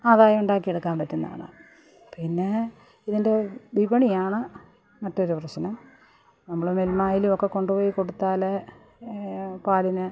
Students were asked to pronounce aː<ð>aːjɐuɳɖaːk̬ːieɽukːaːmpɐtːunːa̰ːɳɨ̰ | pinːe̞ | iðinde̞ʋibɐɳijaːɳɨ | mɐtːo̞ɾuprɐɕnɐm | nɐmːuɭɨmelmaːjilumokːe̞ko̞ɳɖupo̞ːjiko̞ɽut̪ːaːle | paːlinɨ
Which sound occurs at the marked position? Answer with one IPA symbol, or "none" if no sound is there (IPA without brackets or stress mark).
ð